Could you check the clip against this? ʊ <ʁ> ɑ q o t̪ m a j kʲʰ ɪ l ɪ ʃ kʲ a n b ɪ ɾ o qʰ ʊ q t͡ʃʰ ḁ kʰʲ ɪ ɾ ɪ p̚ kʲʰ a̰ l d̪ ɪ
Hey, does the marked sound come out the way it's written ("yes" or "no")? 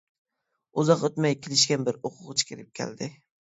no